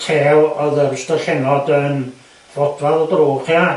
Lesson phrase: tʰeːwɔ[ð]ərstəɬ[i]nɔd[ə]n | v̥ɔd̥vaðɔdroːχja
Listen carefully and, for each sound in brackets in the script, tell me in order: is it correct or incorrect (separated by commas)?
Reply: correct, incorrect, correct